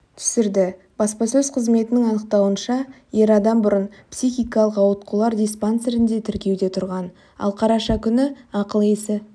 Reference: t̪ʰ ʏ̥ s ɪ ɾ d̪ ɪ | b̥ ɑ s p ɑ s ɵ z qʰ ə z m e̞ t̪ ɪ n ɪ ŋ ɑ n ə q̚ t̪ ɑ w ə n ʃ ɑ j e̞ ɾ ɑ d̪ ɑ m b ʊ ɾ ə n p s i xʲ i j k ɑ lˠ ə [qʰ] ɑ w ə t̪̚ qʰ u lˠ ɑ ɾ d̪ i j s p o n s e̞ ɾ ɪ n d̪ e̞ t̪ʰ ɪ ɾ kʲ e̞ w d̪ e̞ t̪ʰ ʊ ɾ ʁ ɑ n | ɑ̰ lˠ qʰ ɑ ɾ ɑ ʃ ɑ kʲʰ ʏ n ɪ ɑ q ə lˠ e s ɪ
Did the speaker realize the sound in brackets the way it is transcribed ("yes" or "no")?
no